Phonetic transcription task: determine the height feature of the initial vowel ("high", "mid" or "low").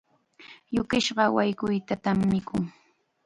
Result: high